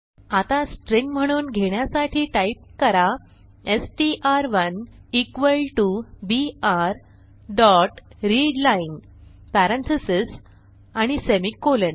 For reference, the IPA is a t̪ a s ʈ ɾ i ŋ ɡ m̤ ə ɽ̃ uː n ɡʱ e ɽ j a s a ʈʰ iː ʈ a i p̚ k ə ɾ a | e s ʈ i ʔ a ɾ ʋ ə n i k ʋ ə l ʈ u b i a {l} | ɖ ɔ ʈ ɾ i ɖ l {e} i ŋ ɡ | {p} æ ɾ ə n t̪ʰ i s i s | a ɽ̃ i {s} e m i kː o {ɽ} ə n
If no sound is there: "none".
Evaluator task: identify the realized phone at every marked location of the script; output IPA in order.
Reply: ɾ, a, p, s, l

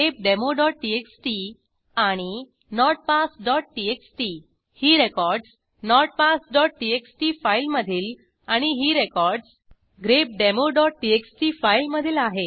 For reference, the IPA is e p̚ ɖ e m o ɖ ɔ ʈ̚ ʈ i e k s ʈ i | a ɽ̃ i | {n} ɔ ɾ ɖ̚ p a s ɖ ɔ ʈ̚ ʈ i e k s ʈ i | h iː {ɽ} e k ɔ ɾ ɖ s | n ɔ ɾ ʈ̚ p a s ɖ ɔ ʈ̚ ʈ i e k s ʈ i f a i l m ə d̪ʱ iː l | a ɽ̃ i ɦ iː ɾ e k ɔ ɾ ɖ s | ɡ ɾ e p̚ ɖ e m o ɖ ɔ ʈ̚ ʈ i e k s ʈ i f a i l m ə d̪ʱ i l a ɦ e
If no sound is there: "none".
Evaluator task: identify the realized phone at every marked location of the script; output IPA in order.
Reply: n, ɾ

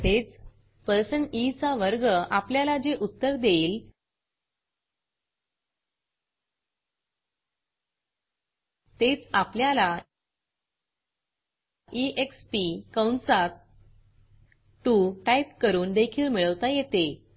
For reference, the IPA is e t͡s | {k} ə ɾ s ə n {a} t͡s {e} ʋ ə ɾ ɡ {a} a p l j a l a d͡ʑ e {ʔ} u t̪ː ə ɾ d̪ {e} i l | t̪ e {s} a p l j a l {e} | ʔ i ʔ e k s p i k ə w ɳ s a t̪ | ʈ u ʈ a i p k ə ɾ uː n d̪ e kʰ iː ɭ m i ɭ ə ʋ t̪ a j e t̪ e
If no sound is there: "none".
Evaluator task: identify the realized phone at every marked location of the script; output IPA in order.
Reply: p, i, a, ə, ʔ, e, t͡s, a

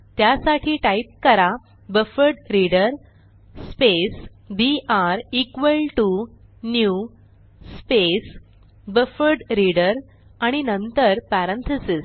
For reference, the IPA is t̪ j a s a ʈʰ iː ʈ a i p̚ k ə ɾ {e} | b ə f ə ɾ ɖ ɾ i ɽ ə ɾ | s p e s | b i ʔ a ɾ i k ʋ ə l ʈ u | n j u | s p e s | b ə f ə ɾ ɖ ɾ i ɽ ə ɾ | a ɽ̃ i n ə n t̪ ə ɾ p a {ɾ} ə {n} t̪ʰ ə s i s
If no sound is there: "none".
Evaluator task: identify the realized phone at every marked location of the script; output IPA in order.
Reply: a, ɾ, n

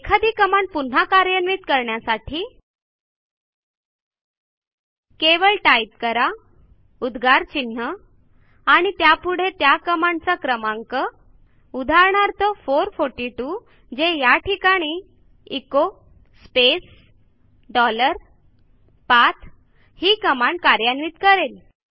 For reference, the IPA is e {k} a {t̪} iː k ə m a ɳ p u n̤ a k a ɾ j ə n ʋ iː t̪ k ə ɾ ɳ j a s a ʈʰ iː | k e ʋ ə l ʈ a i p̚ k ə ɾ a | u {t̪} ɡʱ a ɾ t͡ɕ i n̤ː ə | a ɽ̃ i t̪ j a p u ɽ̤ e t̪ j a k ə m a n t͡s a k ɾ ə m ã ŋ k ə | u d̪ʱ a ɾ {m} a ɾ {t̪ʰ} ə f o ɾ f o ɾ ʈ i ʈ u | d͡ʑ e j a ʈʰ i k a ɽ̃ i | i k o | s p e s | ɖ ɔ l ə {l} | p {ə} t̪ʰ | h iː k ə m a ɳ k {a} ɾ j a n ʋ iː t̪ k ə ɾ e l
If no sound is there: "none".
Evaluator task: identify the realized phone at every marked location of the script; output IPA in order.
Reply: kʰ, d̪, d̪, ɳ, t̪, ɾ, a, a

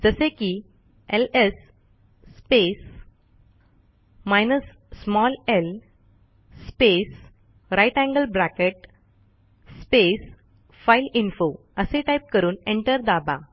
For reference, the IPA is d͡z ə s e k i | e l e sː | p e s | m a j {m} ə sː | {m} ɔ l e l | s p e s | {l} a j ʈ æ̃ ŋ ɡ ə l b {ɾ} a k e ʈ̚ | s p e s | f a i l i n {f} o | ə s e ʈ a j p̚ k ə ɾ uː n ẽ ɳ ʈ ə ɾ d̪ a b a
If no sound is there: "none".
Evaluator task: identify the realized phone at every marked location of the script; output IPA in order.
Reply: n, m, ɾ, ɾ, f

